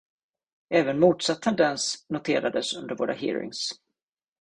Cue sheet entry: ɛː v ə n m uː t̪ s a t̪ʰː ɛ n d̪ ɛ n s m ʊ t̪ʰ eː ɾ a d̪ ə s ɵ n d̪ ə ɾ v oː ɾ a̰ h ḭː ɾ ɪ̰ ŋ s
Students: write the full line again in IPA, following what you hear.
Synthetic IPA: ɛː v ə n m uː t̪ s a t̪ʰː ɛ n d̪ ɛ n s n ʊ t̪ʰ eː ɾ a d̪ ə s ɵ n d̪ ə ɾ v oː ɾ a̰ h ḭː ɾ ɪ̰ ŋ s